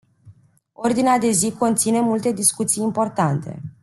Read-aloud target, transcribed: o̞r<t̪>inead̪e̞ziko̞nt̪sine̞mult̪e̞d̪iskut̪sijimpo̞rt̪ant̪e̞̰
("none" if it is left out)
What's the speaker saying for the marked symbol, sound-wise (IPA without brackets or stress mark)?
d̪